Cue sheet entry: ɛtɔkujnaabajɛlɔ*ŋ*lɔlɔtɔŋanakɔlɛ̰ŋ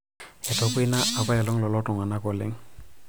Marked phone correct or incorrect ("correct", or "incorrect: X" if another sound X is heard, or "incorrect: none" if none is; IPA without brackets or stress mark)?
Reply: correct